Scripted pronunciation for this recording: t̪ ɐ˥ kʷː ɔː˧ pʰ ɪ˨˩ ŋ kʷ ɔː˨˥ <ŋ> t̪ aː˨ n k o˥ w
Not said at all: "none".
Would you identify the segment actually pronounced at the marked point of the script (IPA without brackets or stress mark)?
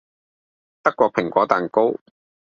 none